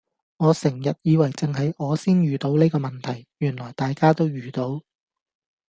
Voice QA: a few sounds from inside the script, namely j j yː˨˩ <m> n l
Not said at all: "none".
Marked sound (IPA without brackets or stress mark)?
none